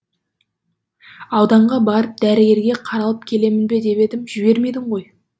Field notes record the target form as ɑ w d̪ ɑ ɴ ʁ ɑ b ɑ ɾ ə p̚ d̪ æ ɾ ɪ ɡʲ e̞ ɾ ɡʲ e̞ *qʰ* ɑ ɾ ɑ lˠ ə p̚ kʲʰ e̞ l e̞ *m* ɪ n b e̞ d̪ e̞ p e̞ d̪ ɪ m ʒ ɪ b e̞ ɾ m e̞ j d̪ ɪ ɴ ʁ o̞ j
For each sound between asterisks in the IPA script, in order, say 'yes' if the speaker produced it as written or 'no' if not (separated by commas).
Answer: yes, yes